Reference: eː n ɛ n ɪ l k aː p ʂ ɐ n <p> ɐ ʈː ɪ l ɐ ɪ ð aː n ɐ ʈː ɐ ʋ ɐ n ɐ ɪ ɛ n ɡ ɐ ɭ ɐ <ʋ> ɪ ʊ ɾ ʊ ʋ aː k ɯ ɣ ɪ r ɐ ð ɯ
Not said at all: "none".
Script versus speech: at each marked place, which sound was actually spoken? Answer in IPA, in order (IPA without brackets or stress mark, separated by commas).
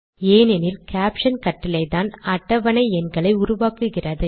k, none